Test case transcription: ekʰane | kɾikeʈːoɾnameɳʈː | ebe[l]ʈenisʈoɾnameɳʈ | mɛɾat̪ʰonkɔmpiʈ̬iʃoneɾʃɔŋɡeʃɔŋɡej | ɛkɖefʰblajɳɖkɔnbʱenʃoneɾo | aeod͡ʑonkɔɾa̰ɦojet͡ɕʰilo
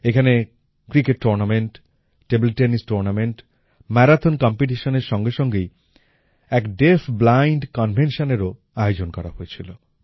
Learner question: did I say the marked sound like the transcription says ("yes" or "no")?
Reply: yes